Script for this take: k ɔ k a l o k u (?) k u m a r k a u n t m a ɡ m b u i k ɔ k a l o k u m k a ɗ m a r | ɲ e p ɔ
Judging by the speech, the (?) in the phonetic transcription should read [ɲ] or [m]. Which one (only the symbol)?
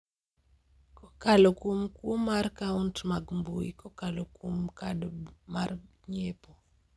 m